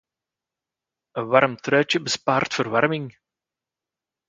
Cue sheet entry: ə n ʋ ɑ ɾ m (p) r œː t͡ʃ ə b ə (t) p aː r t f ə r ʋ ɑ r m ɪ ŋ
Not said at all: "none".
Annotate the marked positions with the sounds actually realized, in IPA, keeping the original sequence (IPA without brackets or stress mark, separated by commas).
t, s